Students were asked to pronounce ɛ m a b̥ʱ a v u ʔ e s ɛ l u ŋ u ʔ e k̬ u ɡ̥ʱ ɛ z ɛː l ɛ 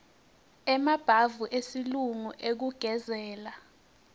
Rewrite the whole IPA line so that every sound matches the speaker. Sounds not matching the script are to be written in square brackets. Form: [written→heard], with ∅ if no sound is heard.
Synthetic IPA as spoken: ɛ m a b̥ʱ a v u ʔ e s [ɛ→i] l u ŋ u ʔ e k̬ u ɡ̥ʱ ɛ z ɛː l [ɛ→a]